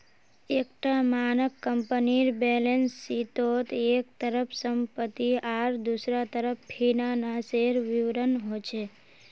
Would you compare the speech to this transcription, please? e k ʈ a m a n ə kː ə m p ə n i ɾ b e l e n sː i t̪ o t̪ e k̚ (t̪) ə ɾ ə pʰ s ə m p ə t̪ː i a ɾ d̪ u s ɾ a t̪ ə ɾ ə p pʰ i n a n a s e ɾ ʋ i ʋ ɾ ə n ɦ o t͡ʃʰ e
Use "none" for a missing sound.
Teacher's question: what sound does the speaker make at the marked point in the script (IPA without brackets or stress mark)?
t̪